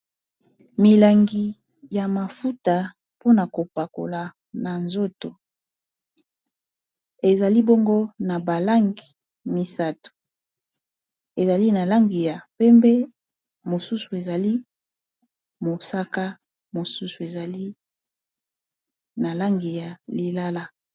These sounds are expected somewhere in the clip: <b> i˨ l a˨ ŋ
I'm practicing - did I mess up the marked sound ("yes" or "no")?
yes